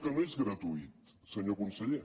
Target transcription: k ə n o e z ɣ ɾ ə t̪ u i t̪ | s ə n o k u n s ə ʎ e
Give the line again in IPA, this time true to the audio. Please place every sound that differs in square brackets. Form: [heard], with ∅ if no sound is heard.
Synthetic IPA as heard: k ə n o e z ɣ ɾ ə t̪ u i t̪ | s ə [ɲ] o k u n s ə ʎ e